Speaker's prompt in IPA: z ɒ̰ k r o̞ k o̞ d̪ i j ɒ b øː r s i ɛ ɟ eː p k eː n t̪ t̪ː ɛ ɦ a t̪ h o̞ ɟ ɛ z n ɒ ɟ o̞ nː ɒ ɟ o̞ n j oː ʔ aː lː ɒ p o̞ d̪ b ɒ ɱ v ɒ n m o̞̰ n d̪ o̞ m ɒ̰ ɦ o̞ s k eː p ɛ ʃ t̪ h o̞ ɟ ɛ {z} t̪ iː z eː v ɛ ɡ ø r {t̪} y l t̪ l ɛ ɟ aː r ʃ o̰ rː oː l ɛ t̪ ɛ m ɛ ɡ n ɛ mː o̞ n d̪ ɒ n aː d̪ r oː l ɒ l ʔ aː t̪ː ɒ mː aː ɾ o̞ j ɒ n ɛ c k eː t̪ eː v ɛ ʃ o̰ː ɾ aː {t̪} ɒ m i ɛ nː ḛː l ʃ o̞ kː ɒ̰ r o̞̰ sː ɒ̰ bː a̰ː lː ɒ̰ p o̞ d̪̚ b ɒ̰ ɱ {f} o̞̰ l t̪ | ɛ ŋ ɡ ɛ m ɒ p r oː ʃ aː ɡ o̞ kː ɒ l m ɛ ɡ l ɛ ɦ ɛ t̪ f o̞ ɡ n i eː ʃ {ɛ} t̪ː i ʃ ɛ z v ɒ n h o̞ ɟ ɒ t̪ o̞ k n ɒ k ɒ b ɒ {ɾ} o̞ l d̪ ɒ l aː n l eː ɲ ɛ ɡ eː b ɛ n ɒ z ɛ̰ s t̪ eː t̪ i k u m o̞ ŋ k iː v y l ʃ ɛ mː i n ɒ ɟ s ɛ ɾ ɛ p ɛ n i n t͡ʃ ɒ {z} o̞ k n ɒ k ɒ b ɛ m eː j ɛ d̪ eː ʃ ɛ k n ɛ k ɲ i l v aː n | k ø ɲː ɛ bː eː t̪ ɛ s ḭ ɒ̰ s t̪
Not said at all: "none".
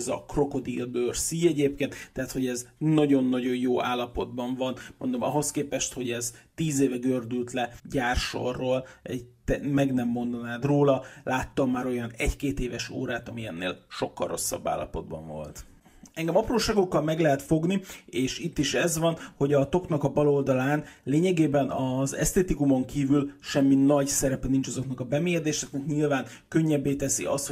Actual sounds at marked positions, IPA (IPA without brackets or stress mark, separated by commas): z, d̪, t̪, v, i, l, z